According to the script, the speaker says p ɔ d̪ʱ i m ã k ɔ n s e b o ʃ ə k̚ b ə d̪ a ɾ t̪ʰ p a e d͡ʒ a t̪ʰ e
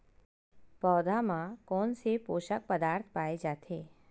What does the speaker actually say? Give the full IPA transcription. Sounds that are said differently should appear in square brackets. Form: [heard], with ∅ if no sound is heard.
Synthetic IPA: p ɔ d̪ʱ [a] m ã k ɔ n s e [p] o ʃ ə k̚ [p] ə d̪ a ɾ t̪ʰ p a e d͡ʒ a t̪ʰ e